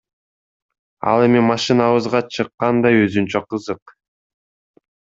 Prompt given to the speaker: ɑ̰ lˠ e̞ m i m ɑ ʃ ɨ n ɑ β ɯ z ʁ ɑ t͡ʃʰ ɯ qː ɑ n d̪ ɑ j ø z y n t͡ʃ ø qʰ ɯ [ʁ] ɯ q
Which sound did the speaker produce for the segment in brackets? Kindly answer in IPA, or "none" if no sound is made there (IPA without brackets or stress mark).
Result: z